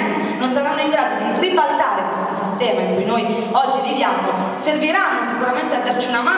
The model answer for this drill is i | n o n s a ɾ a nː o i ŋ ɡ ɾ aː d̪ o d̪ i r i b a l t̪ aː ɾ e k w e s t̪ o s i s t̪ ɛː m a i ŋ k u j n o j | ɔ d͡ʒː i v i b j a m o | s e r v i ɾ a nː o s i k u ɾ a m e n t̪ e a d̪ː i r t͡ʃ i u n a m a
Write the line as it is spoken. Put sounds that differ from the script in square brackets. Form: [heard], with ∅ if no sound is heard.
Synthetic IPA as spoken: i | n o n s a ɾ a nː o i ŋ ɡ ɾ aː d̪ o d̪ i r i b a l t̪ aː ɾ e k w e s t̪ o s i s t̪ ɛː m a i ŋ k u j n o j | ɔ d͡ʒː i v i [v] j a m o | s e r v i ɾ a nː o s i k u ɾ a m e n t̪ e a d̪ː [a] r t͡ʃ i u n a m a